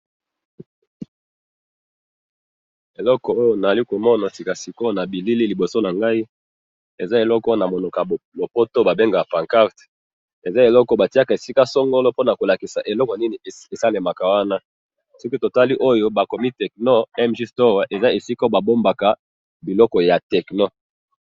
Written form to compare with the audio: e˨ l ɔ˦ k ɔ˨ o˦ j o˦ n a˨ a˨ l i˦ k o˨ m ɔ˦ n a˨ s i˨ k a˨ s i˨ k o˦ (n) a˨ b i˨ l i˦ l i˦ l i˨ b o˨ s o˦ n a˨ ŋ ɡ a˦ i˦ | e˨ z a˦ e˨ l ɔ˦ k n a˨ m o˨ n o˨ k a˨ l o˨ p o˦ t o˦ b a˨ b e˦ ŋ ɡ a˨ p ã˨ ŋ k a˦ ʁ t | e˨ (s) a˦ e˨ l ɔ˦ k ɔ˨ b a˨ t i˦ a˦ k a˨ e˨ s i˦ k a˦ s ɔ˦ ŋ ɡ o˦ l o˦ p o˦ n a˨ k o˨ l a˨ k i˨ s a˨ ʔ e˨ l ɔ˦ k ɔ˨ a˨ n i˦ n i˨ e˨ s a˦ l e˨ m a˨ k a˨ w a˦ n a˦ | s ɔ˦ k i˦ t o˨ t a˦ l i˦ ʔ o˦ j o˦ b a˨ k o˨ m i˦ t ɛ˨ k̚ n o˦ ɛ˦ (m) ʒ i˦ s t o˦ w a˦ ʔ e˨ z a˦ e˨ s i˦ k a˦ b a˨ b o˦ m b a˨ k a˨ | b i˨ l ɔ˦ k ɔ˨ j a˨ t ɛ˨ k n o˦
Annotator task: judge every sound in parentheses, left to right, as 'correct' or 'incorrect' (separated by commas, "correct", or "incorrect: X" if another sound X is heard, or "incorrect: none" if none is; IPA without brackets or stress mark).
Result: correct, incorrect: z, correct